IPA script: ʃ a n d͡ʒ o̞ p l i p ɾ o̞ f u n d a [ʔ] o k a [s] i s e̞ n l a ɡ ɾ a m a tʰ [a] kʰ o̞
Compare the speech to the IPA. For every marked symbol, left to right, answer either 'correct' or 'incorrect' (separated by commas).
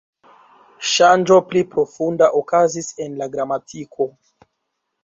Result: correct, incorrect, incorrect